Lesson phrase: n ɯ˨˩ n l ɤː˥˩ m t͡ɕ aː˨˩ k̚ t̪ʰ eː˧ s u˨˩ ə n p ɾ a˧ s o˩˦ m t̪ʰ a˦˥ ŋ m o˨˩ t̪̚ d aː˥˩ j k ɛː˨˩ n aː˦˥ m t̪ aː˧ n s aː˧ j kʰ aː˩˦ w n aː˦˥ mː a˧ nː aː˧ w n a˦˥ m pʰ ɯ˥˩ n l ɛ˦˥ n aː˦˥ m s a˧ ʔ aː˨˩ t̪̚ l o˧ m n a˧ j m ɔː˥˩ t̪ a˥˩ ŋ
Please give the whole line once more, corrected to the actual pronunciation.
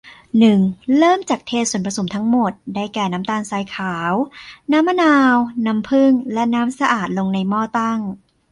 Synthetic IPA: n ɯ˨˩ ŋ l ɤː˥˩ m t͡ɕ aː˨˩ k̚ t̪ʰ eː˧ s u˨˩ ə n p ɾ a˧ s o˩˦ m t̪ʰ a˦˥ ŋ m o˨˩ t̪̚ d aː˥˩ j k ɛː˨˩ n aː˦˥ m t̪ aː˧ n s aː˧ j kʰ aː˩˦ w n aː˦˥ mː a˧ n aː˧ w n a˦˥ m pʰ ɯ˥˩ ŋ l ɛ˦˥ n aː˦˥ m s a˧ ʔ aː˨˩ t̪̚ l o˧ ŋ n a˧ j m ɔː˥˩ t̪ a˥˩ ŋ